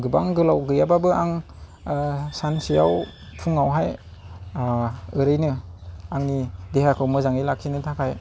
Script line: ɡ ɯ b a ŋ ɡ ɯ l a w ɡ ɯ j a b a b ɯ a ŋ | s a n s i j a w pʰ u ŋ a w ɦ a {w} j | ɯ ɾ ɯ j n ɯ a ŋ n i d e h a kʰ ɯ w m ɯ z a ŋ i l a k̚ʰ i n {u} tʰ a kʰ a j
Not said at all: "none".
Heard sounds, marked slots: none, ɯ

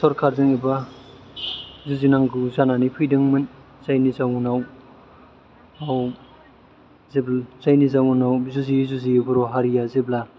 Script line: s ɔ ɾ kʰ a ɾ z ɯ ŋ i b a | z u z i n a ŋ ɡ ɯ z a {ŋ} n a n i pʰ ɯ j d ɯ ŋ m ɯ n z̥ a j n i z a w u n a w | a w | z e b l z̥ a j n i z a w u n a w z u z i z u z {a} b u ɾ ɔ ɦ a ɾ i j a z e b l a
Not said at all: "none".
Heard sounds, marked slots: none, i

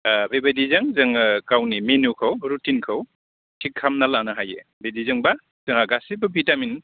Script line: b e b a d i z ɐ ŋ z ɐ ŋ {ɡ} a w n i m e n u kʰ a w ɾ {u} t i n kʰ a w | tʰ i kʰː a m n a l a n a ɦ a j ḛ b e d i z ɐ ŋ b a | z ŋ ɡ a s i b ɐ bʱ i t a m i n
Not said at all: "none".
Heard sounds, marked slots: k, u

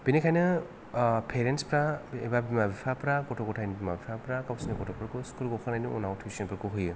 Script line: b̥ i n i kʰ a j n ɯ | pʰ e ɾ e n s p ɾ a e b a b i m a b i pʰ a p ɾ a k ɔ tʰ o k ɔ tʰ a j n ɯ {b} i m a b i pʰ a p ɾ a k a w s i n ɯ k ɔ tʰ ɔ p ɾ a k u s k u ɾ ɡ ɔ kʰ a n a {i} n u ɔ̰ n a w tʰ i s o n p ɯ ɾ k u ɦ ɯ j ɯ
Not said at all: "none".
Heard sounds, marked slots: b, j

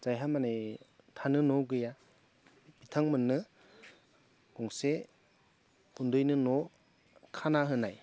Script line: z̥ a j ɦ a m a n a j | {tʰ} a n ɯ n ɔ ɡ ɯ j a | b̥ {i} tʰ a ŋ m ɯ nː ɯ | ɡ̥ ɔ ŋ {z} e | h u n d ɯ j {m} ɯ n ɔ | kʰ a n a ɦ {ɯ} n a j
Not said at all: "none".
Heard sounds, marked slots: tʰ, i, s, n, ɯ

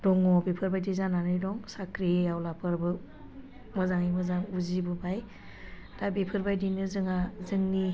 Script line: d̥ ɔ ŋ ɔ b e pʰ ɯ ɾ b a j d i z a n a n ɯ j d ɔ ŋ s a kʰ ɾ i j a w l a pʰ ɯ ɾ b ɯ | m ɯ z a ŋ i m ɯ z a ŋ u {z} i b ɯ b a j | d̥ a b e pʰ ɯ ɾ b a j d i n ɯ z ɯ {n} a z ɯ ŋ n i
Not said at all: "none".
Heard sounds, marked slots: z, ŋ

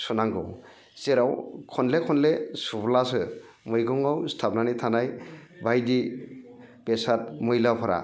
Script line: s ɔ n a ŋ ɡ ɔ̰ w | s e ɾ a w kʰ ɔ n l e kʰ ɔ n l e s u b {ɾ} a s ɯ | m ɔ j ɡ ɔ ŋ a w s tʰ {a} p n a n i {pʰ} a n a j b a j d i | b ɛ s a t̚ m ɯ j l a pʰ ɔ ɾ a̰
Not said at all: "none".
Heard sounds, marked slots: l, a, tʰ

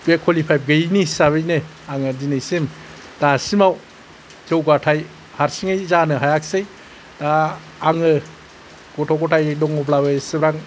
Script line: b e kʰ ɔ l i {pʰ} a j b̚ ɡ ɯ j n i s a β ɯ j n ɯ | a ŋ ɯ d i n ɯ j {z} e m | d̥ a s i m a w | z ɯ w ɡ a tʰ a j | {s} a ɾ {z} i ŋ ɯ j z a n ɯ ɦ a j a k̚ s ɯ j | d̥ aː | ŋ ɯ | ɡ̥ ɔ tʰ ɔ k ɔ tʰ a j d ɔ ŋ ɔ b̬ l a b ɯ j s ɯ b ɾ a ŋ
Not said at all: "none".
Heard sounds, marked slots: pʰ, s, h, s

